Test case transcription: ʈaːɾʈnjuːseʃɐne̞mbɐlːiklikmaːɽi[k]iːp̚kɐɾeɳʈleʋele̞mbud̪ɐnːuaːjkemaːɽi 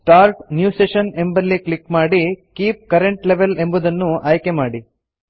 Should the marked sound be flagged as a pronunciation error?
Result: no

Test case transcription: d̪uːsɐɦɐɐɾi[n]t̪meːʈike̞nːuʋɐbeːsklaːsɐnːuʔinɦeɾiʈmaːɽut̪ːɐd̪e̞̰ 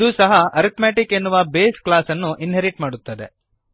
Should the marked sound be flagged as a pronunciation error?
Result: yes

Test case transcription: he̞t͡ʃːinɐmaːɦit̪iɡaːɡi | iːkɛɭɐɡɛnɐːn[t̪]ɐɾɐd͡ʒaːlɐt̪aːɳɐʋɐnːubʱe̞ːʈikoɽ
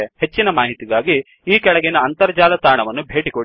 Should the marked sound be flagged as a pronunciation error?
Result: no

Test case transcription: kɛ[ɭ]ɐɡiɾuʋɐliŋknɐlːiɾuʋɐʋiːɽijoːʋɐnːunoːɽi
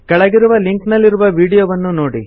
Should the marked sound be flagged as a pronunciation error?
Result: no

